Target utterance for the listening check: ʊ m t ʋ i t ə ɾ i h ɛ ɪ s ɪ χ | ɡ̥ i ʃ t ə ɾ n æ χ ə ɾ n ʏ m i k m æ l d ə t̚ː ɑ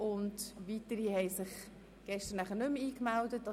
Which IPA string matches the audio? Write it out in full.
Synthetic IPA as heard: ʊ n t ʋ i t ə ɾ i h ɛ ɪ s ɪ χ | ɡ̥ ɛ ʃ t ə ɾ n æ χ ə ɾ n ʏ m iː k m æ l d ə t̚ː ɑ